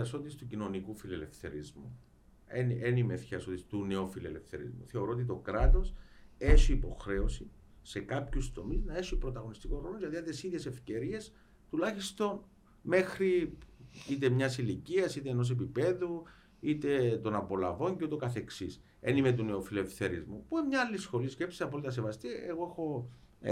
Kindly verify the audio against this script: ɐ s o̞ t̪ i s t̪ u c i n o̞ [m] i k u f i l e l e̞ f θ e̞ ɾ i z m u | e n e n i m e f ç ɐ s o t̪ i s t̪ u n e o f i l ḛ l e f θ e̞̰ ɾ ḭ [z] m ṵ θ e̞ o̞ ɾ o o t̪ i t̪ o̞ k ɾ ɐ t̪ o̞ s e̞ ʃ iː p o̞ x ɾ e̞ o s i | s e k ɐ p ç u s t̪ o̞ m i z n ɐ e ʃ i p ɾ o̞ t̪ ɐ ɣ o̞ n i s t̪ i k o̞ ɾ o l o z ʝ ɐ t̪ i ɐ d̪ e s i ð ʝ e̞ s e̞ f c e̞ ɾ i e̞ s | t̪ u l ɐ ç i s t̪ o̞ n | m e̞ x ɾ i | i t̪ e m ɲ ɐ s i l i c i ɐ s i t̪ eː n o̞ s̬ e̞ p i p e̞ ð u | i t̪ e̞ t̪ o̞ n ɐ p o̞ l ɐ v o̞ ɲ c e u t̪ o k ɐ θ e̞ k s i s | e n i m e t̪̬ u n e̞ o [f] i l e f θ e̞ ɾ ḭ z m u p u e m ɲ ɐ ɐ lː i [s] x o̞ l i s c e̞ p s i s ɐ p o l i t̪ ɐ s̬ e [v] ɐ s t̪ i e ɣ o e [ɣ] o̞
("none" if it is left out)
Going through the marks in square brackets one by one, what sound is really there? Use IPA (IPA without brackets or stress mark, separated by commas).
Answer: n, z, f, s, v, x